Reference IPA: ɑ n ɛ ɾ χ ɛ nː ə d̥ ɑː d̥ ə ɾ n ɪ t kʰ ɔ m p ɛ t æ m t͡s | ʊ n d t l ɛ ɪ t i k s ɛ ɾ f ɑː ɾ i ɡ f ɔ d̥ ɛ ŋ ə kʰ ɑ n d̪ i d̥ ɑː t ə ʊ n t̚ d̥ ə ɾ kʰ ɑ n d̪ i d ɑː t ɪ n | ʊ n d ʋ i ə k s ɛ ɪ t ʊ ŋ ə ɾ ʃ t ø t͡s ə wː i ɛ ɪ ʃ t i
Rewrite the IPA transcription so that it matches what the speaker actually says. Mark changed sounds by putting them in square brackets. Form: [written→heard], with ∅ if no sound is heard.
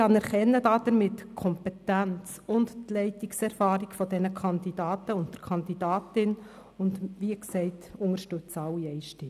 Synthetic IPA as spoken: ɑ n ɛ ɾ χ ɛ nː ə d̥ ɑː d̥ ə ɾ [n→m] ɪ t kʰ ɔ m p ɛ t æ [m→n] t͡s | ʊ n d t l ɛ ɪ t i k s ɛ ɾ f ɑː ɾ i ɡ f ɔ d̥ ɛ [ŋ→n] ə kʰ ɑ n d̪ i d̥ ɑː t ə ʊ n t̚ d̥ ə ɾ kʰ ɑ n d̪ i d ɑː t ɪ n | ʊ n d ʋ i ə k s ɛ ɪ t ʊ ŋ ə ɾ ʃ t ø t͡s [ə→ɑ] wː i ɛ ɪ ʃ t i

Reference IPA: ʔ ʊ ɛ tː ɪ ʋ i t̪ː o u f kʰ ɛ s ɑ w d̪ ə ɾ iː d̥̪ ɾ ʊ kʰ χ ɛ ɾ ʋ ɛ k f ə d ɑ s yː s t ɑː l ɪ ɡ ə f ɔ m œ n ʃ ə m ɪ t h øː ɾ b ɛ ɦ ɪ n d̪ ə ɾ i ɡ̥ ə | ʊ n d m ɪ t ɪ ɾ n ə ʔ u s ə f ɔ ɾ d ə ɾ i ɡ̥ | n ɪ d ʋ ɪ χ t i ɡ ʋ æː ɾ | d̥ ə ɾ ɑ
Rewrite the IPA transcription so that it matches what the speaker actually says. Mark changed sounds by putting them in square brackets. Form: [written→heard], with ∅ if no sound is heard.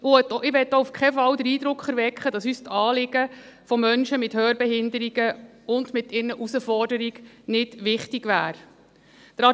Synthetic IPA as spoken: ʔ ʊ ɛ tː ɪ ʋ [i→ɛ] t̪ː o u f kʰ ɛ [s→f] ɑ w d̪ ə ɾ iː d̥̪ ɾ ʊ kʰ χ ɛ ɾ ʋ ɛ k [f→χ] ə d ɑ s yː s t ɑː l ɪ ɡ ə f ɔ m œ n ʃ ə m ɪ t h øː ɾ b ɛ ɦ ɪ n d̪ ə ɾ i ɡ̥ ə | ʊ n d m ɪ t ɪ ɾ n ə ʔ u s ə f ɔ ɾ d ə ɾ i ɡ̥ | n ɪ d ʋ ɪ χ t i ɡ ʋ æː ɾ | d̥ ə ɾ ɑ

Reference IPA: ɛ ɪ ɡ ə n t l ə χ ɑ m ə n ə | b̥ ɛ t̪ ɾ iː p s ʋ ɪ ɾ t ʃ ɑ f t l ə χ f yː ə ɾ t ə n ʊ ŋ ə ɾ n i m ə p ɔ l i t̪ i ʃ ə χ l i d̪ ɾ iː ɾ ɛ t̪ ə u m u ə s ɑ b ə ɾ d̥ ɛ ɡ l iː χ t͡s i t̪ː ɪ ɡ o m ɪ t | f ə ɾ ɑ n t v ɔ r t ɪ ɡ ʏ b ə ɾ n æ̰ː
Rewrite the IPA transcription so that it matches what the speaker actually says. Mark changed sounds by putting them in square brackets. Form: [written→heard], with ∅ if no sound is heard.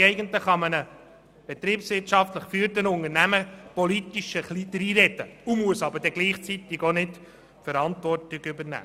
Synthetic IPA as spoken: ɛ ɪ ɡ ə n t l ə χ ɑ m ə n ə | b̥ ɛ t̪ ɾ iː p s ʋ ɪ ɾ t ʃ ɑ f t l ə χ f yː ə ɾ t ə n ʊ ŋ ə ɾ n [i→æ] m ə p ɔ l i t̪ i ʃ ə χ l i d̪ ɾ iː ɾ ɛ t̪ ə u m u ə s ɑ b ə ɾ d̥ ɛ ɡ l iː χ t͡s i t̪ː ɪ ɡ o [m→n] ɪ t | f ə ɾ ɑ n t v ɔ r t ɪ ɡ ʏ b ə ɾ n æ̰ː

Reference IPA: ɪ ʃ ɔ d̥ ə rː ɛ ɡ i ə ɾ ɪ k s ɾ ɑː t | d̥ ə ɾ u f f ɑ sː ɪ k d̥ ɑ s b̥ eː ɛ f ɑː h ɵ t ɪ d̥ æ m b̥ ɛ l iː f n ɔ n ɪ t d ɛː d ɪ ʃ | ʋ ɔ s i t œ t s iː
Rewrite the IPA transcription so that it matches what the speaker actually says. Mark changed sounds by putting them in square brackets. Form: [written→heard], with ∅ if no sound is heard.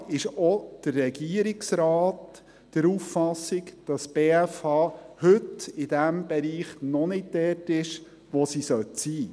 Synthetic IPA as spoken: ɪ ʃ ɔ d̥ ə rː ɛ ɡ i ə ɾ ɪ k s ɾ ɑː t | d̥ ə ɾ u f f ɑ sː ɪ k d̥ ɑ s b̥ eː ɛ f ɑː h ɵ t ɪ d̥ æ m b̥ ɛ [l→ɾ] iː [f→χ] n ɔ n ɪ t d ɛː [d→t] ɪ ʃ | ʋ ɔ s i [t→s] œ t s iː

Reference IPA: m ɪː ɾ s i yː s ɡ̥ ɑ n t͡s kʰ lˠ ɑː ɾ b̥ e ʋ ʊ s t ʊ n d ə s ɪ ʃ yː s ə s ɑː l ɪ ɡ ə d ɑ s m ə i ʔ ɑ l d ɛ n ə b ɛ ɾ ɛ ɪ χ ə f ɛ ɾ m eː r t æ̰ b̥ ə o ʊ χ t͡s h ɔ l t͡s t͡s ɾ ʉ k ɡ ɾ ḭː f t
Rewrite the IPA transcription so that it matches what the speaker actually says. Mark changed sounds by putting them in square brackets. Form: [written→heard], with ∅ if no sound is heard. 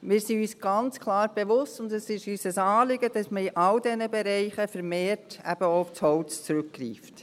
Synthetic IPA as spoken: m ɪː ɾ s i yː s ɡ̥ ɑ n t͡s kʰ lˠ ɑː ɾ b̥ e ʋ ʊ s t ʊ n d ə s ɪ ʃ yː s ə s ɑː l ɪ ɡ ə d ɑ s m ə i ʔ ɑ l d ɛ n ə b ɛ ɾ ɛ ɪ χ ə f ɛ ɾ m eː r t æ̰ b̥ ə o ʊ [χ→f] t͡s h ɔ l t͡s t͡s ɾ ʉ k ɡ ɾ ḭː f t

